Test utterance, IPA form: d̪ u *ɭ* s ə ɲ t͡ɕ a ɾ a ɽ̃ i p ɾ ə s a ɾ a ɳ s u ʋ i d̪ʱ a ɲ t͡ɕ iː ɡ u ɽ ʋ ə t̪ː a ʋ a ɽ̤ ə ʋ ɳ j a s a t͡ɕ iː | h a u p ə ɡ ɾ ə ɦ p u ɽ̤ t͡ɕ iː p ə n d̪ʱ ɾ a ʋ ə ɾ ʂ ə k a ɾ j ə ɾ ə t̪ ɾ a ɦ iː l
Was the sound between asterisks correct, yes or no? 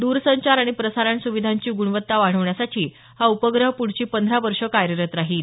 no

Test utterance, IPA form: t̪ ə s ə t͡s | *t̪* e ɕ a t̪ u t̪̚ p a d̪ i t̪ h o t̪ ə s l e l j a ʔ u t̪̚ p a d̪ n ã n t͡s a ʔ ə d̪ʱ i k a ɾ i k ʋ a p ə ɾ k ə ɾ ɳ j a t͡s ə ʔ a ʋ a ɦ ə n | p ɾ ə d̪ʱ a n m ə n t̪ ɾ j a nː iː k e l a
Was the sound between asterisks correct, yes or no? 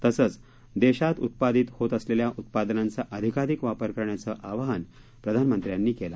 no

